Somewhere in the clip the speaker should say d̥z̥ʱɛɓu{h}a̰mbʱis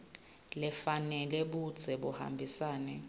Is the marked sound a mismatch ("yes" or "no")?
no